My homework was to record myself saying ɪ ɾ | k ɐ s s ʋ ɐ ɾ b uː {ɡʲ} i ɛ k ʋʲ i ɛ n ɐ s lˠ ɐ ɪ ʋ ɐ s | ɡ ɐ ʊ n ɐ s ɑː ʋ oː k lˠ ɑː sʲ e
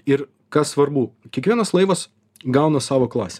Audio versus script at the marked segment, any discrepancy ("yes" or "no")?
yes